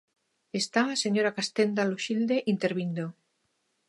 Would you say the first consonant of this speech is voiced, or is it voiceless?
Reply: voiceless